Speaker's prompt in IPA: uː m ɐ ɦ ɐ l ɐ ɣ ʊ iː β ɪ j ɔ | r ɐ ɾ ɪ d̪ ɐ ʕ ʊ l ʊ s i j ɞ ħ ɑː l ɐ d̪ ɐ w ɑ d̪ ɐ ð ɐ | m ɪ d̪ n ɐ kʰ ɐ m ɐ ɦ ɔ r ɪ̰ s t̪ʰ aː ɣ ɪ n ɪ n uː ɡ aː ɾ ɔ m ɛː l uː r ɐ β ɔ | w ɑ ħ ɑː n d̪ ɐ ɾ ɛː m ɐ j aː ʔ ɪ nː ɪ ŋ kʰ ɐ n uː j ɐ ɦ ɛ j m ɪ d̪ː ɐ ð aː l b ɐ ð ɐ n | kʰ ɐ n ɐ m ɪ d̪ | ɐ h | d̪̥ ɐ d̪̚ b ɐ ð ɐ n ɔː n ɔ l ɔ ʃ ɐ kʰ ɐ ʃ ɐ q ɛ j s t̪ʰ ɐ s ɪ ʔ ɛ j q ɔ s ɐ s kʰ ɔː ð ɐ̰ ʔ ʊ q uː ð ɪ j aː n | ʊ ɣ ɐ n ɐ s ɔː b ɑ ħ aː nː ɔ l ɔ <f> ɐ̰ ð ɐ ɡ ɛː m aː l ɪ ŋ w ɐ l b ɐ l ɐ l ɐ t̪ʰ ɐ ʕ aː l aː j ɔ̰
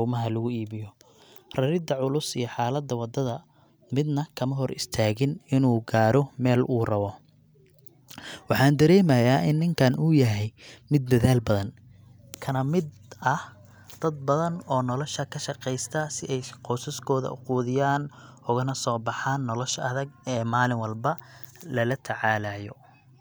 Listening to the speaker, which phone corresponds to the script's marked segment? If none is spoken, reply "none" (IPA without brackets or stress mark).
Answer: ʃ